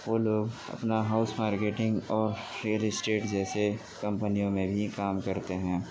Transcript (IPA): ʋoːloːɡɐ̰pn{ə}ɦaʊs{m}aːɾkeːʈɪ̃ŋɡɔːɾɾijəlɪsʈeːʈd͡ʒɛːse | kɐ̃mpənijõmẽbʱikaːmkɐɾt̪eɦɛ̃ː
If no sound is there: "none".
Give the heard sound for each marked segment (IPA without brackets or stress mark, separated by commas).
a, m